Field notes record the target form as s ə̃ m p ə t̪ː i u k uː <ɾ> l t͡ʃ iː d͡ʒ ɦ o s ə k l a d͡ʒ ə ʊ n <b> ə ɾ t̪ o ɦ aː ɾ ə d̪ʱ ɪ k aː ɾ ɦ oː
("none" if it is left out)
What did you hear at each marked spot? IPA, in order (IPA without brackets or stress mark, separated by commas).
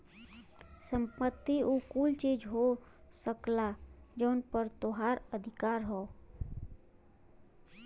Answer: none, p